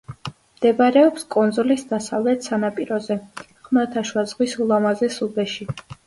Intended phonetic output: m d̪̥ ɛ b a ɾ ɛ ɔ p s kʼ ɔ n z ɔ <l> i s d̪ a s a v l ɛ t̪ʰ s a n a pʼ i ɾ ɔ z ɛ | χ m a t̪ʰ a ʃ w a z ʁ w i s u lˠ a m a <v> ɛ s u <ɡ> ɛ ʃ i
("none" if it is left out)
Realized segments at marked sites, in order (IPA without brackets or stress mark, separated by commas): l, z, b